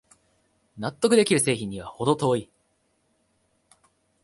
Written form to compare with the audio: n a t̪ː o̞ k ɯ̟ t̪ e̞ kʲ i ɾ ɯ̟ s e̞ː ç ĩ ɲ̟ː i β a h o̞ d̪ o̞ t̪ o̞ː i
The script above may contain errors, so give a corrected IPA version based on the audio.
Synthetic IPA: n a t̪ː o̞ k ɯ̟ d̪ e̞ kʲ i ɾ ɯ̟ s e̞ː ç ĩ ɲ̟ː i β a h o̞ d̪ o̞ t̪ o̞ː i